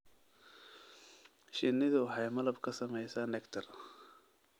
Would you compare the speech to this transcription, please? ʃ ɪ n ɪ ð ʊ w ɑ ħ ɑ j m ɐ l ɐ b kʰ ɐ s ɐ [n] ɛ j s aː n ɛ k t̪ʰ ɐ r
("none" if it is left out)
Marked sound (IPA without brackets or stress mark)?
m